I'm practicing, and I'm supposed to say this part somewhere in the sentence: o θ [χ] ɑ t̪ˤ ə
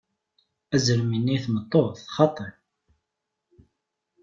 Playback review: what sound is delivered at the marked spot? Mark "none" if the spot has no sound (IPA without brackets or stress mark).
χ